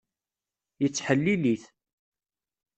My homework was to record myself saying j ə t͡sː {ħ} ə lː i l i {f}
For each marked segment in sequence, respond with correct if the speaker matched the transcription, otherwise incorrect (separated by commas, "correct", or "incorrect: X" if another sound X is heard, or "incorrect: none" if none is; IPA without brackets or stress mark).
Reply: correct, incorrect: θ